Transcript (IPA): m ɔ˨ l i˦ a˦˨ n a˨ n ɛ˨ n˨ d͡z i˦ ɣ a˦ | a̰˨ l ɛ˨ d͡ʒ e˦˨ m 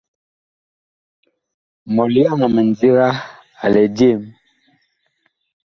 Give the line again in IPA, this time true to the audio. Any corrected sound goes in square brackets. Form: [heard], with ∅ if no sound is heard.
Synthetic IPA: m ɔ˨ l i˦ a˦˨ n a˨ [m] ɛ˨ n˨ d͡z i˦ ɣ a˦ | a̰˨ l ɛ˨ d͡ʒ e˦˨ m

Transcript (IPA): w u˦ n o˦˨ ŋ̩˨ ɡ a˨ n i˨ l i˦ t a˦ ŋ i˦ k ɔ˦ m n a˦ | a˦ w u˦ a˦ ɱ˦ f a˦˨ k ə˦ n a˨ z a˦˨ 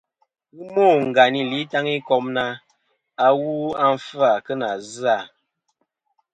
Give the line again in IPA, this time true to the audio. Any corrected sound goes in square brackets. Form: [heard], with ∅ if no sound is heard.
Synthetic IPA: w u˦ [m] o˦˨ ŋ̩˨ ɡ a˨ n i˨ l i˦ t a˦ ŋ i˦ k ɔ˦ m n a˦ | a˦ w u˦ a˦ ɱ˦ f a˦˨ k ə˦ n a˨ z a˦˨

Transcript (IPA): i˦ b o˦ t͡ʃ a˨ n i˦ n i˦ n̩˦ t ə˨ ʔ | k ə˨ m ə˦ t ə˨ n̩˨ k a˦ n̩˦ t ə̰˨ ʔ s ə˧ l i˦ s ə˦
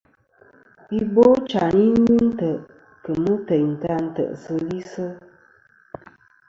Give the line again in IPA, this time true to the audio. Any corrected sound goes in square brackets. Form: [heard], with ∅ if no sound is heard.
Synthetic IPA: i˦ b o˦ t͡ʃ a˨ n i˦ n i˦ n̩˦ t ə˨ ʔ | k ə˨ m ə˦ t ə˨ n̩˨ [t] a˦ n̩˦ t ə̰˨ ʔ s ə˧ l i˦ s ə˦

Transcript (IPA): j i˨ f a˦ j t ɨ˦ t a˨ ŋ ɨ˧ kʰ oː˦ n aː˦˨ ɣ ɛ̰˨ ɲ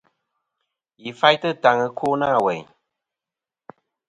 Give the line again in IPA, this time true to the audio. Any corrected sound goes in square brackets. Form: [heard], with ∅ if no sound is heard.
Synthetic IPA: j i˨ f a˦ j t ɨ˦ t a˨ ŋ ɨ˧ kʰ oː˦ n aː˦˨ [w] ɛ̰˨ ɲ

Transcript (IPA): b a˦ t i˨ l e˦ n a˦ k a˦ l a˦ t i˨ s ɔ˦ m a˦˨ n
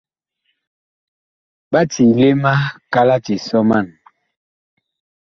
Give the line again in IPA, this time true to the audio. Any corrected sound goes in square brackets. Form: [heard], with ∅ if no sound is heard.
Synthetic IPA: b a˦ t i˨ l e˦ [m] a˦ k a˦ l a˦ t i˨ s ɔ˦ m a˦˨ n

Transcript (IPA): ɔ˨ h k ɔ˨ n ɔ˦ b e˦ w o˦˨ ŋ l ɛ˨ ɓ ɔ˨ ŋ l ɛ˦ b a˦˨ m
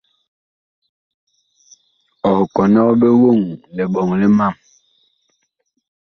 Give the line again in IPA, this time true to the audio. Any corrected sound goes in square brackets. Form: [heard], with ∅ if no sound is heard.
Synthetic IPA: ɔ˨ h k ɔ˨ n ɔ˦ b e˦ w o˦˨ ŋ l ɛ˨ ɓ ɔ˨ ŋ l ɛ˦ [m] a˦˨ m

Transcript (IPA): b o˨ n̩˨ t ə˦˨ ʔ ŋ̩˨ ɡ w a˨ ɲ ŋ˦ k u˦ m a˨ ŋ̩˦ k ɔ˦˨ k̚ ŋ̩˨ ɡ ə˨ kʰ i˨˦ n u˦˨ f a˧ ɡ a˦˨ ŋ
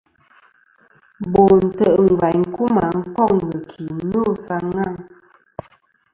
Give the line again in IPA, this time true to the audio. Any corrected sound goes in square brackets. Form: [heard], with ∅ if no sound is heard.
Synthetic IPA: b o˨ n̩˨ t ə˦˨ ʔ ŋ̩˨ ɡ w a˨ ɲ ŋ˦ k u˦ m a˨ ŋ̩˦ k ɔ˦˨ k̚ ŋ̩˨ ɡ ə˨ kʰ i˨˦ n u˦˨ [s] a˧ [ŋ] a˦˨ ŋ

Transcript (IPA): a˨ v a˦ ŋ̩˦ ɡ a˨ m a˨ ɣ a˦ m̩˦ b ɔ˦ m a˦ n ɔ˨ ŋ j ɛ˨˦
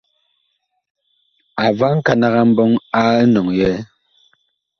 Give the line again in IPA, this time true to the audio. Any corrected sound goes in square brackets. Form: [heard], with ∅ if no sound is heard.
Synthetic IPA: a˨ v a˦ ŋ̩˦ [k] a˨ [n] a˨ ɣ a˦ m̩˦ b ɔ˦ [ŋ] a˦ n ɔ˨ ŋ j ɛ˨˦

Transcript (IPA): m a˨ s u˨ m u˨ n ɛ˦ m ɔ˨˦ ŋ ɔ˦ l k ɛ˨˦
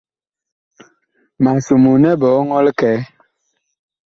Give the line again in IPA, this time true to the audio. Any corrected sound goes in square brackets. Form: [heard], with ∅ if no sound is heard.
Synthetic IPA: m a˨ s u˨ m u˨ n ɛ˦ [b] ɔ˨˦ ŋ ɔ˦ l k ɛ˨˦

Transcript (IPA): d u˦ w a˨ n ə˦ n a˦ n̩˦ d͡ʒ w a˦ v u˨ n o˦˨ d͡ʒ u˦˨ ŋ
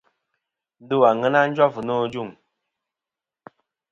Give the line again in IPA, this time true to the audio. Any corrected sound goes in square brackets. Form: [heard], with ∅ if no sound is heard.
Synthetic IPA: d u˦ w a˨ [ŋ] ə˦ n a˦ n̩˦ d͡ʒ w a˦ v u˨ n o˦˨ d͡ʒ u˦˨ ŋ

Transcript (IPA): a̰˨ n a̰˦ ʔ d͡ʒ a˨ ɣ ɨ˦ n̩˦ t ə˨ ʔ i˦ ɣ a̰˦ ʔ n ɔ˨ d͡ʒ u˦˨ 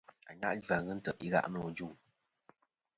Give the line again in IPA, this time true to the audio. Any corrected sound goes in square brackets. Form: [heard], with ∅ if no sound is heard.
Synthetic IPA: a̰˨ [ɲ] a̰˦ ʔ d͡ʒ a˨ ɣ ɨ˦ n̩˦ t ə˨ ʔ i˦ ɣ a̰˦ ʔ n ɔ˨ d͡ʒ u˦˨

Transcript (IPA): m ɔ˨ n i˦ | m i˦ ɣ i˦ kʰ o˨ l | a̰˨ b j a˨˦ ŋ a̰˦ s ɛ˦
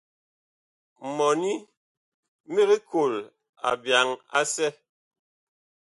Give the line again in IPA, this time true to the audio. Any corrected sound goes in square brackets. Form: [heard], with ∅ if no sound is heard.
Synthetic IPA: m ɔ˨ n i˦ | m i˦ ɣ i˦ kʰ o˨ l | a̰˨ b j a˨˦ ŋ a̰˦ s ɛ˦

